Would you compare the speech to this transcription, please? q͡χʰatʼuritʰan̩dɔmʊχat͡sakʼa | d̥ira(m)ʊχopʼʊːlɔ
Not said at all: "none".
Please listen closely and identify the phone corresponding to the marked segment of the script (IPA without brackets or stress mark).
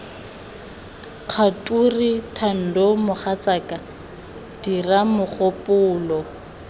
m